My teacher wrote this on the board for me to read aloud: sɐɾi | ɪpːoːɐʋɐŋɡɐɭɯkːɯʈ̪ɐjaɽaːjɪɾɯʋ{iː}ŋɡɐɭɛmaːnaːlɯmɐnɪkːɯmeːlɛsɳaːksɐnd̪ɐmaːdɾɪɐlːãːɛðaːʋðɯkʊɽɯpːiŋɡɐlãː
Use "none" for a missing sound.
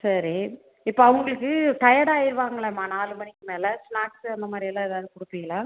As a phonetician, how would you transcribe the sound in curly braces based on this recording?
aː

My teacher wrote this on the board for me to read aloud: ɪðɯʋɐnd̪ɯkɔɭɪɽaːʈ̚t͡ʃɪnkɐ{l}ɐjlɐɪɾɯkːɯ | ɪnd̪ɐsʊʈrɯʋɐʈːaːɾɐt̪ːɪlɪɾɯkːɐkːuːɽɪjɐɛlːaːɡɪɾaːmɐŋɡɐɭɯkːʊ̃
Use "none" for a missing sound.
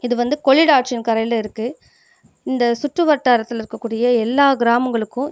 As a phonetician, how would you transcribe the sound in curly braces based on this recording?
ɾ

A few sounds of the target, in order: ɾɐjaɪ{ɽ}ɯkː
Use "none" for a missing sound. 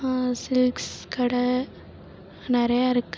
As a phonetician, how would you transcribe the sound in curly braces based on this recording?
ɾ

